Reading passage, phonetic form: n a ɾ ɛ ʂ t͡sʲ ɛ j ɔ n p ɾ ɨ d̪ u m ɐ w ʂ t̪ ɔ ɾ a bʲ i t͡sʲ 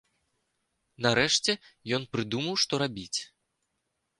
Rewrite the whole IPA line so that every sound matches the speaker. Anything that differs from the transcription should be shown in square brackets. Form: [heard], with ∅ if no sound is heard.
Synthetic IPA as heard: n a ɾ ɛ ʂ t͡sʲ ɛ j ɔ n p ɾ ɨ d̪ u m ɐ w ʂ t̪ ɔ ɾ a bʲ i t͡sʲ